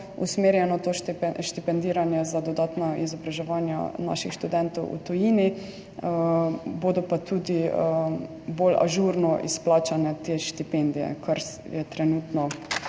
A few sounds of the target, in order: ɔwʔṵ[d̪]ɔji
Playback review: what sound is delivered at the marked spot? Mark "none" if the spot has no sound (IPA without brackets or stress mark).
t̪